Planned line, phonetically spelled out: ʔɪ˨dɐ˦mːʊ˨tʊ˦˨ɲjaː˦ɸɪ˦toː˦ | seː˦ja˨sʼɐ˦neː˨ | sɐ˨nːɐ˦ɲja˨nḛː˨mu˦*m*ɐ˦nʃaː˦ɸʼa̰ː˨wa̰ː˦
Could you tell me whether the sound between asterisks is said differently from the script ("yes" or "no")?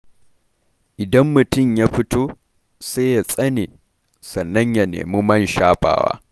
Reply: no